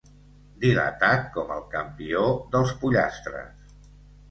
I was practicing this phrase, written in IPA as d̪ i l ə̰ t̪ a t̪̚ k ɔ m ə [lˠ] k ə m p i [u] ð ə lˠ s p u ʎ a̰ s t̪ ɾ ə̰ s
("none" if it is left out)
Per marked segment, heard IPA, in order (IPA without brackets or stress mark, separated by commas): lˠ, o